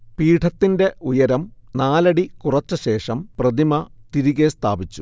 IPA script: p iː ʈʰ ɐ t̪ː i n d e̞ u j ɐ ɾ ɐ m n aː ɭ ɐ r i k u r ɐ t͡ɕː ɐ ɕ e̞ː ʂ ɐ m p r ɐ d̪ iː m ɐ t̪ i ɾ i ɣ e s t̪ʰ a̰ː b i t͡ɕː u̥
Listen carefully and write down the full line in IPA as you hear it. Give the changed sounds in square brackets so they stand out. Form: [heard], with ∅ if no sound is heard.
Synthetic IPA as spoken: p iː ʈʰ ɐ t̪ː i n d e̞ u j ɐ ɾ ɐ m n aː [l] ɐ [ɽ] i k u r ɐ t͡ɕː ɐ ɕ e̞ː ʂ ɐ m p r ɐ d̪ [i] m ɐ t̪ i ɾ i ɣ e s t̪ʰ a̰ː b i t͡ɕː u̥